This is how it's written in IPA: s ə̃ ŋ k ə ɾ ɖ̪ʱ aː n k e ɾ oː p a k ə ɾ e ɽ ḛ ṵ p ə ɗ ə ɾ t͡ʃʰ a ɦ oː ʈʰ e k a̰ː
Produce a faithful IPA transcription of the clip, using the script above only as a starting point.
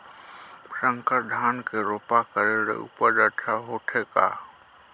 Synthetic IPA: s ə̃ ŋ k ə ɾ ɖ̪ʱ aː n k e ɾ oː p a k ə ɾ e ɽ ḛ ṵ p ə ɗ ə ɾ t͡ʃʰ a ɦ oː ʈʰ e k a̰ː